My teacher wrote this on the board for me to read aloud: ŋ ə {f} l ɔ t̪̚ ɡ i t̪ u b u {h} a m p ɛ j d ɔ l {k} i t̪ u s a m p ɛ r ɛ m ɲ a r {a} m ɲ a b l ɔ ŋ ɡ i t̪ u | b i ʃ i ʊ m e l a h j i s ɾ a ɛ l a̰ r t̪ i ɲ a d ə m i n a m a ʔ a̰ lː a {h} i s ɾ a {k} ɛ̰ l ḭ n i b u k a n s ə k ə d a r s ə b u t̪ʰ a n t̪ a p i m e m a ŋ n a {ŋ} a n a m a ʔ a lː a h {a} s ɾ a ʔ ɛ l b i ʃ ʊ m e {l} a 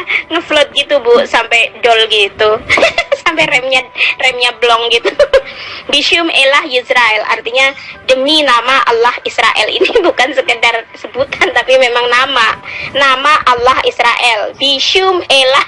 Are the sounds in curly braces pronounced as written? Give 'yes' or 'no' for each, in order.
yes, no, no, no, yes, no, no, no, yes

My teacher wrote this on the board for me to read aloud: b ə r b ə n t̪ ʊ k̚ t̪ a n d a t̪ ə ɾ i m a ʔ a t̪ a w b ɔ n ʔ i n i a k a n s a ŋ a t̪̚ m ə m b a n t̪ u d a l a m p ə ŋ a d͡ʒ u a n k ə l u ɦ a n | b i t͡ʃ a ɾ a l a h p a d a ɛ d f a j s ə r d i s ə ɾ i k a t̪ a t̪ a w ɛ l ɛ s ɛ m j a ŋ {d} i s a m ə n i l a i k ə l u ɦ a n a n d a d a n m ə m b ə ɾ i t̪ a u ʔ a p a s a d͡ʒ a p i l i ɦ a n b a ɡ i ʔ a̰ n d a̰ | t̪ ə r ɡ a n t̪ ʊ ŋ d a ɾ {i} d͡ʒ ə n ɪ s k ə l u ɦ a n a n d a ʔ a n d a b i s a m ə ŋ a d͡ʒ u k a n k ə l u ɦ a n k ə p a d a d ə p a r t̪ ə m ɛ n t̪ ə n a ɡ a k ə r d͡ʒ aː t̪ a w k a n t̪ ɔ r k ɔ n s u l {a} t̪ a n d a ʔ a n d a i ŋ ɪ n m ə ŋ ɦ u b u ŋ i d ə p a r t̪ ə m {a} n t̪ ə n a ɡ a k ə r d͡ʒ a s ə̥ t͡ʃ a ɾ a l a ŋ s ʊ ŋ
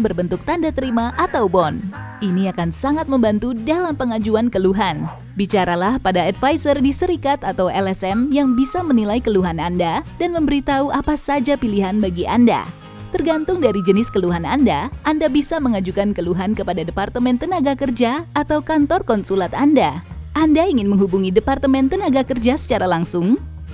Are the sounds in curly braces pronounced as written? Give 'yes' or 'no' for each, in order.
no, yes, yes, no

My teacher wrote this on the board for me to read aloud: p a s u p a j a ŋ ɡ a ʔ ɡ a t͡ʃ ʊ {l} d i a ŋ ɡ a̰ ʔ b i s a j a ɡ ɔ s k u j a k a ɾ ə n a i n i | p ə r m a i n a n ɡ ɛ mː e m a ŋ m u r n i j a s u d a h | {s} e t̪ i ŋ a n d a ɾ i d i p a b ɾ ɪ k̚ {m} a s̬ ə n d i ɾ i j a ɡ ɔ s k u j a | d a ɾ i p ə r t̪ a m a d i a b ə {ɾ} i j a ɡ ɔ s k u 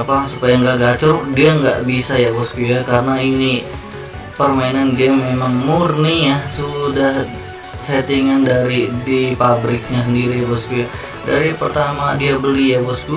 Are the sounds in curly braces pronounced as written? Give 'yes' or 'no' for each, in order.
no, yes, no, no

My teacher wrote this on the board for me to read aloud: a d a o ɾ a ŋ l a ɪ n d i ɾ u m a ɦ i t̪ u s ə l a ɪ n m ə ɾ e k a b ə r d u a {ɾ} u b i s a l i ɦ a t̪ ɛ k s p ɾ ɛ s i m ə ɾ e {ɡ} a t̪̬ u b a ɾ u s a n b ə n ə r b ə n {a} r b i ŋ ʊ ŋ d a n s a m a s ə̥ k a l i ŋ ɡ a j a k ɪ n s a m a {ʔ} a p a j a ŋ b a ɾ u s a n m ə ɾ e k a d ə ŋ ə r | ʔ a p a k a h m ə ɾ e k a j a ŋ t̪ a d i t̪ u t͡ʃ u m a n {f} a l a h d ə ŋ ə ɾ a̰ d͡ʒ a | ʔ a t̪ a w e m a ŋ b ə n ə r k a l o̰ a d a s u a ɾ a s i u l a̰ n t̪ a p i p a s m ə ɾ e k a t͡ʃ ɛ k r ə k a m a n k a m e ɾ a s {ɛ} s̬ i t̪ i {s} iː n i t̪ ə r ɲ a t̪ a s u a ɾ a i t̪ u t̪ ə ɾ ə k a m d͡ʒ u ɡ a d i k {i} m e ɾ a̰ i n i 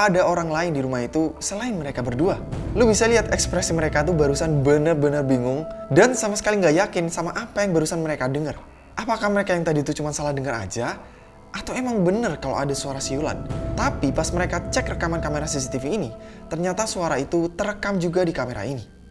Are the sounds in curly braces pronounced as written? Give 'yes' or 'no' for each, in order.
no, no, no, yes, no, no, no, no

